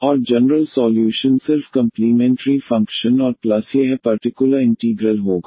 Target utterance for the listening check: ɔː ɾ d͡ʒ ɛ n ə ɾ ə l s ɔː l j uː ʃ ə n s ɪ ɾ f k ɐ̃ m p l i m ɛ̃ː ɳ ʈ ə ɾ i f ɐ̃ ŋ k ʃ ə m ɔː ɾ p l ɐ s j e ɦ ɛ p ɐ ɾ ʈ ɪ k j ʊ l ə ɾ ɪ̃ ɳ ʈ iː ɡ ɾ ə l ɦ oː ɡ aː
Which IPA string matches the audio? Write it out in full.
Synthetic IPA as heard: ɔː ɾ d͡ʒ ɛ n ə ɾ ə l s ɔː l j uː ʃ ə n s ɪ ɾ f k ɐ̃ m p l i m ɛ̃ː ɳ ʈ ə ɾ i f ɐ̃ ŋ k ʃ ə n ɔː ɾ p l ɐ s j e ɦ ɛ p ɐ ɾ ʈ ɪ k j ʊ l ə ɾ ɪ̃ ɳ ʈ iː ɡ ɾ ə l ɦ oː ɡ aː